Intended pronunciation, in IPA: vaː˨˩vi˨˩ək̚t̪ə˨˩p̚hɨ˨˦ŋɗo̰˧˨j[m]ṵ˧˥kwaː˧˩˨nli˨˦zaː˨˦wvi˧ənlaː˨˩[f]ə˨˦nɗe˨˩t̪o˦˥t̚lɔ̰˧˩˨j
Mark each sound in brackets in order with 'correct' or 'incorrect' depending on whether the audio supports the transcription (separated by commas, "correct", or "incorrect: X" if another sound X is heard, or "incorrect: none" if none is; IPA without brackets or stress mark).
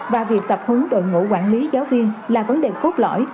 incorrect: ŋ, incorrect: v